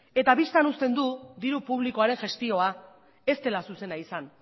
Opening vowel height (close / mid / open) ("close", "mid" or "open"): mid